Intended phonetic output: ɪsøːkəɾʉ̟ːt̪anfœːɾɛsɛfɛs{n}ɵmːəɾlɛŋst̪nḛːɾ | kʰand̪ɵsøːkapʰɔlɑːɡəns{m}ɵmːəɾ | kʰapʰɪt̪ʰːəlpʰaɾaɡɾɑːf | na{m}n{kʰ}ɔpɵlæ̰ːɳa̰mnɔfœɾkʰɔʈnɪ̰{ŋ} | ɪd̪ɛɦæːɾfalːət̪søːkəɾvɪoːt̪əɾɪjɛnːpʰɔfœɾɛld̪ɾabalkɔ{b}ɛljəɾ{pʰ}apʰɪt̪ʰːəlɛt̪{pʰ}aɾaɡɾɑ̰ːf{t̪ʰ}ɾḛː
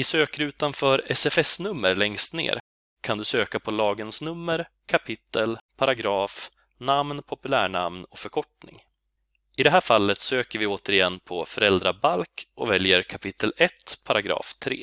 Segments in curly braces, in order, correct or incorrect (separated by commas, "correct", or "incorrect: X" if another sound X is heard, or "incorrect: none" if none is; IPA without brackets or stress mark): correct, incorrect: n, correct, incorrect: pʰ, correct, incorrect: v, incorrect: kʰ, correct, correct